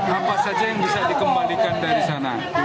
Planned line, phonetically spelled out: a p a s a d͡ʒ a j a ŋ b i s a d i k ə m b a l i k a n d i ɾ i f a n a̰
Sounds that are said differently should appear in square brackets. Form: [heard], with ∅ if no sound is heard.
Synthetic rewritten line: a p a s a d͡ʒ a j a ŋ b i s a d i k ə m b a l i k a n d [a] ɾ i [s] a n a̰